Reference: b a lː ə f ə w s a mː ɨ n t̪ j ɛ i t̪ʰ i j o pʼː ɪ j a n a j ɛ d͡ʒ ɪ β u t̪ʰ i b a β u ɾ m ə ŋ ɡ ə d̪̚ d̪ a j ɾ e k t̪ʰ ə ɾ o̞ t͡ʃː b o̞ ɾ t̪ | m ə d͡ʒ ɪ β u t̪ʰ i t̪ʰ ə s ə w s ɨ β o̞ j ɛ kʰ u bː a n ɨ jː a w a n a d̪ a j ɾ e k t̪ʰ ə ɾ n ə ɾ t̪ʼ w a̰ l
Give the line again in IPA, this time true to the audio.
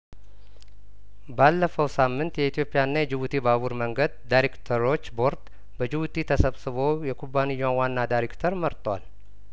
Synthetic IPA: b a lː ə f ə w s a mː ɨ n t̪ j ɛ i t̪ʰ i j o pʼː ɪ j a nː a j ɛ d͡ʒ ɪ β u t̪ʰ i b a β u ɾ m ə ŋ ɡ ə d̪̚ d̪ a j ɾ e k t̪ʰ ə ɾ o̞ t͡ʃː b o̞ ɾ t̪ | b ə d͡ʒ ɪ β u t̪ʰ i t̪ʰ ə s ə β s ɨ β o̞ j ɛ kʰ u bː a n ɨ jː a w a nː a d̪ a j ɾ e k t̪ʰ ə ɾ m ə ɾ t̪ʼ w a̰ l